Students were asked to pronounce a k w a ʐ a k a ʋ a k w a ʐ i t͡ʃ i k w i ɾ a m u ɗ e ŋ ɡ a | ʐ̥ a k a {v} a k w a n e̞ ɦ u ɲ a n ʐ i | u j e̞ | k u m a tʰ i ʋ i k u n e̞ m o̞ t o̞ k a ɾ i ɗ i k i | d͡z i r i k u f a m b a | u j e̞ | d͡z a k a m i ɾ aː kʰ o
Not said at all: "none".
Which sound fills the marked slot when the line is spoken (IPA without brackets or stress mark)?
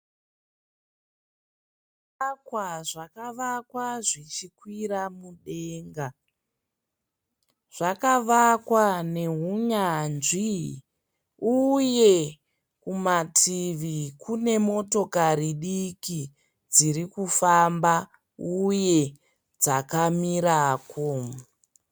ʋ